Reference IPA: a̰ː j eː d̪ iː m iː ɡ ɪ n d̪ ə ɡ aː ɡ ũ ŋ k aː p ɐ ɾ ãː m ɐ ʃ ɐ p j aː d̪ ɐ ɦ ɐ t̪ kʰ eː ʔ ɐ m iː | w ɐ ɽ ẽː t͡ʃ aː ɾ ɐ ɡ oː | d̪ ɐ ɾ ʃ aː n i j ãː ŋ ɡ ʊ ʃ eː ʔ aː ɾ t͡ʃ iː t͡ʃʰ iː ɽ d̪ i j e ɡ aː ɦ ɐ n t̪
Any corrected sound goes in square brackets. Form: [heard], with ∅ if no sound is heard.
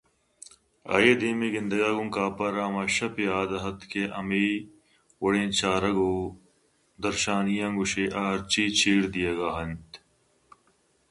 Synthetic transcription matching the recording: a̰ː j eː d̪ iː m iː ɡ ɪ n d̪ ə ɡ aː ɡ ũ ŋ k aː p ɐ ɾ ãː m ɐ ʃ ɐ p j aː d̪ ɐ ɦ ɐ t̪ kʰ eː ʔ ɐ m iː | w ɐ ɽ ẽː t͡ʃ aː ɾ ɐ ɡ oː | d̪ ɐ ɾ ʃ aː n i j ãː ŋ ɡ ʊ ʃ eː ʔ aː ɾ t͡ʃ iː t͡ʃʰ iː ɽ d̪ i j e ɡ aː ɦ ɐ n t̪